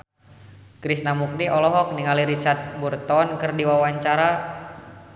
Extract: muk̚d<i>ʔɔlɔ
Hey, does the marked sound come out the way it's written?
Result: yes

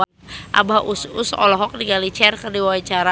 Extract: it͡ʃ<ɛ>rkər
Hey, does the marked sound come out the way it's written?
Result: yes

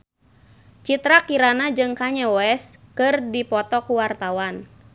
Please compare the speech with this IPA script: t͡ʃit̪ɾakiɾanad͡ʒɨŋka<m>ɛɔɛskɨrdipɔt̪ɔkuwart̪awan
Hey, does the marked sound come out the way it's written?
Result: no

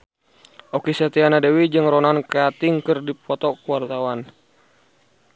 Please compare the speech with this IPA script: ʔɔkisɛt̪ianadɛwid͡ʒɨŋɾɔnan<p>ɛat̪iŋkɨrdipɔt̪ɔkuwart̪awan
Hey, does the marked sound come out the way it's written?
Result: no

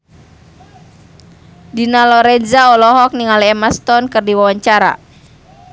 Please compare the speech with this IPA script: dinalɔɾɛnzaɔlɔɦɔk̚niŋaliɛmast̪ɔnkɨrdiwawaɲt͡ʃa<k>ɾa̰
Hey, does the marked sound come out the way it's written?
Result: no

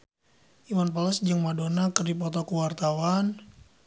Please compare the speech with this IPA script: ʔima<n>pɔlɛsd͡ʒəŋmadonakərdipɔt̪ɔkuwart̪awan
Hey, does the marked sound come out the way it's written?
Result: yes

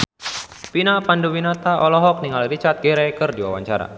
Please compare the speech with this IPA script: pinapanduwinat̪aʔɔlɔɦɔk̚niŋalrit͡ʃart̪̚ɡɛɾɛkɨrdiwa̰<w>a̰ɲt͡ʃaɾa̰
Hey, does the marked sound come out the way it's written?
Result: yes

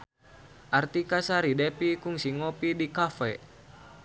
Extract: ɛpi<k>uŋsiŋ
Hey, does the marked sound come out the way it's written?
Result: yes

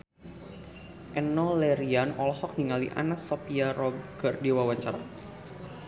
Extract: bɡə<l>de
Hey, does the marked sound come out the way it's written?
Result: no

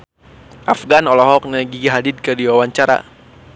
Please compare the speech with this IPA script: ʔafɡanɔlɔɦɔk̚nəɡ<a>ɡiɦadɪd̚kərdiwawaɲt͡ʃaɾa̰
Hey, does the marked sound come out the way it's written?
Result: no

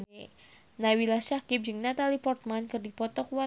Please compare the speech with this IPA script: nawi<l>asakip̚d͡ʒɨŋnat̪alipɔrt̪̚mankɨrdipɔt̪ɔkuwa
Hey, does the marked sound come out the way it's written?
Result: yes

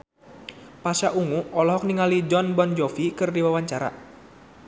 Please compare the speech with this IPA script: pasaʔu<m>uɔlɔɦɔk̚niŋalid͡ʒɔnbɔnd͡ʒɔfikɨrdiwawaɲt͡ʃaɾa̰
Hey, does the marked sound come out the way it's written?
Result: no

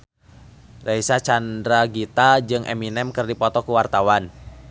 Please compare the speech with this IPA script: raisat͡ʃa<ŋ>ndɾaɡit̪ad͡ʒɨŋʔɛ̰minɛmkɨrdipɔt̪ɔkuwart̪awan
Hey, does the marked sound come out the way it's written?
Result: no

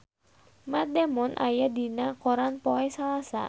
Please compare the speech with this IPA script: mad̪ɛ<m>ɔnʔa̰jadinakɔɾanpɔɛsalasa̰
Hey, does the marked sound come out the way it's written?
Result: yes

